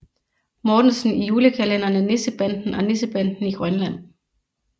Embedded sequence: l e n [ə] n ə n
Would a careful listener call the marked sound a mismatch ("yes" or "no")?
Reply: yes